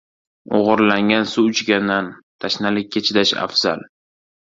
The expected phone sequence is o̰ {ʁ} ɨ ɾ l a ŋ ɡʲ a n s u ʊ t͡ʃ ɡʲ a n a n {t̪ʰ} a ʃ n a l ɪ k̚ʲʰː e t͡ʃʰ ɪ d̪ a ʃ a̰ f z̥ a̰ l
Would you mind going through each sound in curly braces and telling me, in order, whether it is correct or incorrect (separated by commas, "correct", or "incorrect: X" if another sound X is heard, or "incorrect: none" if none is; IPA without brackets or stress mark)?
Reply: correct, correct